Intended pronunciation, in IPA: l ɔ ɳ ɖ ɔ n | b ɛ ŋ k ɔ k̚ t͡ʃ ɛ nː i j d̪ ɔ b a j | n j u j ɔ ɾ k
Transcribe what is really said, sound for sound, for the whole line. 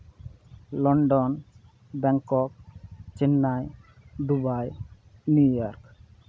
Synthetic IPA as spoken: l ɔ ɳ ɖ ɔ n | b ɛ ŋ k ɔ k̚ t͡ʃ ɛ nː a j d̪ u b a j | n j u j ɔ ɾ k

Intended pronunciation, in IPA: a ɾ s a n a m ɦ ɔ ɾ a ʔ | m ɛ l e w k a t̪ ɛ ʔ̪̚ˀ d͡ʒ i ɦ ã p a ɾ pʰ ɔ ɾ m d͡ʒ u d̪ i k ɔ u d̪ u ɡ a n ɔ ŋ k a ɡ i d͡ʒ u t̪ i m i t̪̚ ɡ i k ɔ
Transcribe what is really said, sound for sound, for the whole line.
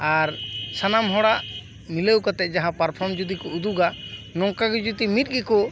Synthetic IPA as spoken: a ɾ s a n a m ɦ ɔ ɽ a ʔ | m i l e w k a t̪ ɛ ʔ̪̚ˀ d͡ʒ a ɦ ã p a ɾ pʰ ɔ ɾ m d͡ʒ u d̪ i k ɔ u d̪ u ɡ a n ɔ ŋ k a ɡ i d͡ʒ u t̪ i m i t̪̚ ɡ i k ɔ

